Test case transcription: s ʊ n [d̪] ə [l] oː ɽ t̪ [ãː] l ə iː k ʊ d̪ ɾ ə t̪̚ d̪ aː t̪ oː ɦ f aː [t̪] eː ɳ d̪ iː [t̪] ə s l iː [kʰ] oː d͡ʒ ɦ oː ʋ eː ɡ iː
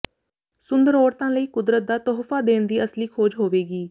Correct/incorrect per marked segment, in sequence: correct, incorrect: ɾ, correct, incorrect: d̪, incorrect: none, correct

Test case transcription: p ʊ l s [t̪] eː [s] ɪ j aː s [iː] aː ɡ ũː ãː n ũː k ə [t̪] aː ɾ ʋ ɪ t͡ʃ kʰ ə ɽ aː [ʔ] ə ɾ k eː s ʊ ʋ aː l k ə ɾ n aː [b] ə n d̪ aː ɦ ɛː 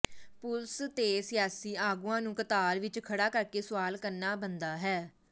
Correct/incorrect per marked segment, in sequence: correct, correct, correct, correct, incorrect: k, correct

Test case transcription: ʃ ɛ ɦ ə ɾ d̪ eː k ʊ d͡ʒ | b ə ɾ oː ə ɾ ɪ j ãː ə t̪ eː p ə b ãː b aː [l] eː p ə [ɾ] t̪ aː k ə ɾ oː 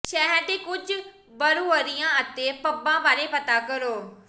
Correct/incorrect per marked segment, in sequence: incorrect: ɾ, incorrect: none

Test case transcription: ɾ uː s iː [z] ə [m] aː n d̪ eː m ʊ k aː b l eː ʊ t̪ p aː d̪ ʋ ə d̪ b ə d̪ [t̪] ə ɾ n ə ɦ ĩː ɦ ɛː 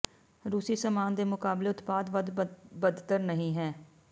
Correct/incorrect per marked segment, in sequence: incorrect: s, correct, correct

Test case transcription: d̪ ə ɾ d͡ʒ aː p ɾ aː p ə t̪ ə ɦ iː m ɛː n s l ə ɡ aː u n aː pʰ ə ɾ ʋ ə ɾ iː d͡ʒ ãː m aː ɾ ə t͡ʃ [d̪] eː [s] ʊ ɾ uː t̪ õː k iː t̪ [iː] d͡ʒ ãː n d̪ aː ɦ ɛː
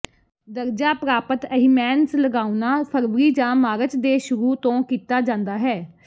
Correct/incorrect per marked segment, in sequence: correct, incorrect: ʃ, incorrect: aː

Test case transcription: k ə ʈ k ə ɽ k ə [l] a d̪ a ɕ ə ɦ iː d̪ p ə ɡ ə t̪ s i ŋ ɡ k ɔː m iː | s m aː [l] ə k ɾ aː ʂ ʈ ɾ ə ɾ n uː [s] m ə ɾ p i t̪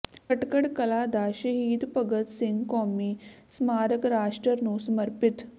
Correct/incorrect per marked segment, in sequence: correct, incorrect: ɾ, correct

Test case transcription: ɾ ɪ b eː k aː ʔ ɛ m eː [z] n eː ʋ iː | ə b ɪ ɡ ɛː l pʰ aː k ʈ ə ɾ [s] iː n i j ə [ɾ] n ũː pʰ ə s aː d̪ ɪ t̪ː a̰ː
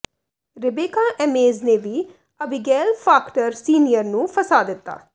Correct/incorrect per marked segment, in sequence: correct, correct, correct

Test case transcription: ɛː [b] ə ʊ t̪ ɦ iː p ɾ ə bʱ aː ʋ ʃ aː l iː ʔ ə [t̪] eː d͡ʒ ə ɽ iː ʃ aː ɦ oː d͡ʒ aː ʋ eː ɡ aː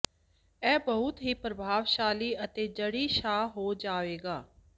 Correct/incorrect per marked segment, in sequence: correct, correct

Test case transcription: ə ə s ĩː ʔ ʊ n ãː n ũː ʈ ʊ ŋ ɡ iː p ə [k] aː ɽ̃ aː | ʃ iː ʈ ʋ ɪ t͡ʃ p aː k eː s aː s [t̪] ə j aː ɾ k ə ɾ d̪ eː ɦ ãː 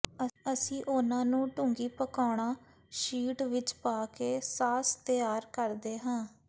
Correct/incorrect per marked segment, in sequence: correct, correct

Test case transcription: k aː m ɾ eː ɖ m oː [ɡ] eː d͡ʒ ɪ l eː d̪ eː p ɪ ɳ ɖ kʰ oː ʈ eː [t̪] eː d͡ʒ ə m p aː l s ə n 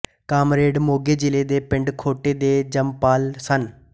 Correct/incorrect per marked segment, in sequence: correct, incorrect: d̪

